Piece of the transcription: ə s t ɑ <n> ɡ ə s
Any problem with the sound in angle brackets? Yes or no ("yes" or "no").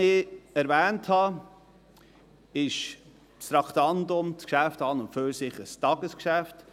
yes